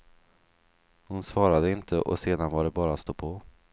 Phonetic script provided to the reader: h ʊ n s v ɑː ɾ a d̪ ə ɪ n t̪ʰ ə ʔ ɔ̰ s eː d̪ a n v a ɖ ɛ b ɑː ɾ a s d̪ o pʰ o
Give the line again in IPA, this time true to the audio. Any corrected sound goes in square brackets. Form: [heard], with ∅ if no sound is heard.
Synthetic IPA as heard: h ʊ n s v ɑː ɾ a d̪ ə ɪ n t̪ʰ ə ʔ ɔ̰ s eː d̪ a n v a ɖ ɛ b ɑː ɾ a s [t̪] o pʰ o